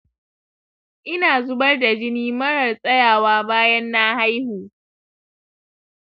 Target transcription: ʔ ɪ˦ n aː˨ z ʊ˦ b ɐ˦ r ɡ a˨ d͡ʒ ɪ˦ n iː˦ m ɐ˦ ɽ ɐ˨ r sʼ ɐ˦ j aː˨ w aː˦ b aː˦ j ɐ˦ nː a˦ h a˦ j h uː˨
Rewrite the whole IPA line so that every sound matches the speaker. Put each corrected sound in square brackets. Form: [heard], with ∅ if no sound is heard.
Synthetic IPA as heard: ʔ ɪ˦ n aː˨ z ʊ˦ b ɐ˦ r [d] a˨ d͡ʒ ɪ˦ n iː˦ m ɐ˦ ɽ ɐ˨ r sʼ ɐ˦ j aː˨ w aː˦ b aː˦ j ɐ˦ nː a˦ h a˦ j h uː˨